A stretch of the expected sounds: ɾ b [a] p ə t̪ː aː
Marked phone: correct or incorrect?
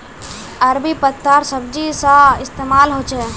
incorrect